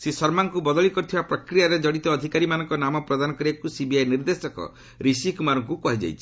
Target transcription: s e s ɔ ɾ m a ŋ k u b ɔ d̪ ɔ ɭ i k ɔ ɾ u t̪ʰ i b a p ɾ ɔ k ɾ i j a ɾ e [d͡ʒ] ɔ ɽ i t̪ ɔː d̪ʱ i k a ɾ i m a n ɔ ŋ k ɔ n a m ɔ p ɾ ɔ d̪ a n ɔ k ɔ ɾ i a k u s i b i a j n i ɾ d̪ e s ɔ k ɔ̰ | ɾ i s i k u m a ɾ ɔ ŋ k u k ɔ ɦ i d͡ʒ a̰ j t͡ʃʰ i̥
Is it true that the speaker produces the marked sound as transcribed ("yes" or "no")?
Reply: yes